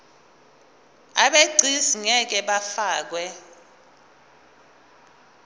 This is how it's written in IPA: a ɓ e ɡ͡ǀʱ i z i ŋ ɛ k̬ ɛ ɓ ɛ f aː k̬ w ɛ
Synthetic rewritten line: a ɓ e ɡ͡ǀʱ i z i ŋ ɛ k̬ ɛ ɓ a f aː k̬ w ɛ